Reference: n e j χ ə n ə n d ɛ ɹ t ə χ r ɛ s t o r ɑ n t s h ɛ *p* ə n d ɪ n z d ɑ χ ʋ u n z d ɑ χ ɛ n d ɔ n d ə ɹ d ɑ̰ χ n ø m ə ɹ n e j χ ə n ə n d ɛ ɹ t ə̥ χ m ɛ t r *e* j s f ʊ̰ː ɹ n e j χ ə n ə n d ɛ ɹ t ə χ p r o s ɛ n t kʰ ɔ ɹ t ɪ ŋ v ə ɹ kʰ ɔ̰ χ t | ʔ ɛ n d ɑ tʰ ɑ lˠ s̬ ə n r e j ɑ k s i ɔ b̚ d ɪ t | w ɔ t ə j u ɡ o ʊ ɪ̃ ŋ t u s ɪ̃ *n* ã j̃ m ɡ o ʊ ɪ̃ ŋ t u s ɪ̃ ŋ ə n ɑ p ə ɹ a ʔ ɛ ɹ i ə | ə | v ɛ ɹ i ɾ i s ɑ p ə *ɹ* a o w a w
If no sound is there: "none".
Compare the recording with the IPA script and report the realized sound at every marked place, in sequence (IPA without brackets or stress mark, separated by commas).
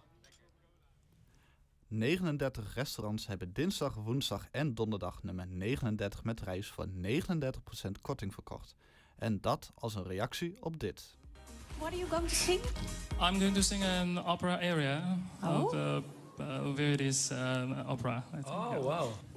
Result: b, ɛ, ŋ, ɹ